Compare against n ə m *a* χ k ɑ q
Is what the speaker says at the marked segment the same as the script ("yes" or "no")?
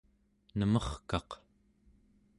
no